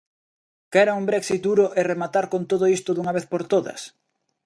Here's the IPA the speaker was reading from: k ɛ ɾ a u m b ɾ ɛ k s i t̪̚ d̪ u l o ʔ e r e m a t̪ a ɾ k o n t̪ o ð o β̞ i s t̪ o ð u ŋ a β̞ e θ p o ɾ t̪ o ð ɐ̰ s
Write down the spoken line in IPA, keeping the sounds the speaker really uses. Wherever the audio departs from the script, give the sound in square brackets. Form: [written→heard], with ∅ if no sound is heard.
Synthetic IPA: k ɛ ɾ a u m b ɾ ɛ k s i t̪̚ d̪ u [l→ɾ] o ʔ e r e m a t̪ a ɾ k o n t̪ o ð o [β̞→∅] i s t̪ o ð u ŋ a β̞ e θ p o ɾ t̪ o ð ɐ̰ s